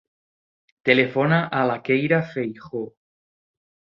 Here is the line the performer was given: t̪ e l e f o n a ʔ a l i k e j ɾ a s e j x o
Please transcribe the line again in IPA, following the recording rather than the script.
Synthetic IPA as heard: t̪ e l e f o n a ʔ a l a k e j ɾ a f e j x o